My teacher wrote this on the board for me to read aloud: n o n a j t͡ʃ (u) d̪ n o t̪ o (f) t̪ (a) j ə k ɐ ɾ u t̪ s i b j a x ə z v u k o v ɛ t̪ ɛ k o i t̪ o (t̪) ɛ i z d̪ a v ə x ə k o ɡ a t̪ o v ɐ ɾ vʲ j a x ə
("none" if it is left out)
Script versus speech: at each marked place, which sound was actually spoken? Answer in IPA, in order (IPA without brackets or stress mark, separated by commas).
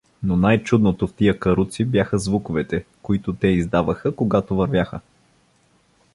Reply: u, f, i, t̪